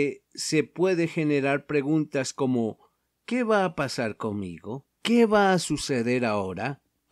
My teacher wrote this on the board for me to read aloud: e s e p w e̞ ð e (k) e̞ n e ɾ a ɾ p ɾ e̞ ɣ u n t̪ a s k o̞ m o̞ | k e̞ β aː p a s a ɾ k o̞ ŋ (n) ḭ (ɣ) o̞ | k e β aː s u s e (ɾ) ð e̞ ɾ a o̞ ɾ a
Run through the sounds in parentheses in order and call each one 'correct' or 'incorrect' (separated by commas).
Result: incorrect, incorrect, correct, incorrect